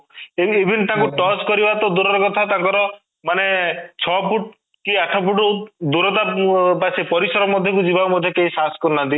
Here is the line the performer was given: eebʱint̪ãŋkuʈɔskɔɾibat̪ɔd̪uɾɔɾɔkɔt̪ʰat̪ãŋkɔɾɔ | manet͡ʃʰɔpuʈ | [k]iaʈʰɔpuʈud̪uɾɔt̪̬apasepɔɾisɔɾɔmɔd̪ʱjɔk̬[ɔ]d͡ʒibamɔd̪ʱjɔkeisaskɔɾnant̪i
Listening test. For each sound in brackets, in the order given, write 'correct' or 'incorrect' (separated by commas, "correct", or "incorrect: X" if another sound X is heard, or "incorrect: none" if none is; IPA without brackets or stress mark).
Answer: correct, incorrect: u